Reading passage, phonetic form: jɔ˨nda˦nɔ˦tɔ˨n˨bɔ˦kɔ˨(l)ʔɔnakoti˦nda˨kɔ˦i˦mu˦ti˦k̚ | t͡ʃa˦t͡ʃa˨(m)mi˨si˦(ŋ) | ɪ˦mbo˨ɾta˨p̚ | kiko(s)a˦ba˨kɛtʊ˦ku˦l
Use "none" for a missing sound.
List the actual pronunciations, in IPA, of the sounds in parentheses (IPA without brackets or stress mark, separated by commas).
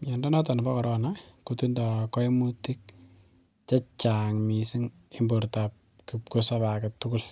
ɾ, ŋ, ŋ, s